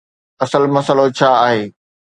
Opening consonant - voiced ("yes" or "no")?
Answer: no